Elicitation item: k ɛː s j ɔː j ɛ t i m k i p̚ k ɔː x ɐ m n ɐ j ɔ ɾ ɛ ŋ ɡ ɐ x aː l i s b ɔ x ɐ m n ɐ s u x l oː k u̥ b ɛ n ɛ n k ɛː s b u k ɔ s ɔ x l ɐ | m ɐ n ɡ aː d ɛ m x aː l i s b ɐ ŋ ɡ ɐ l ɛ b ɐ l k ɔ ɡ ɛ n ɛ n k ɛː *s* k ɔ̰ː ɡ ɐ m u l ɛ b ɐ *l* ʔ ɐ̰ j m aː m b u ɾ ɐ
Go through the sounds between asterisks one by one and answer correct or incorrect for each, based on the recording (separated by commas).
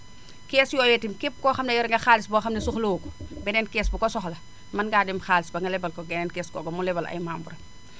correct, correct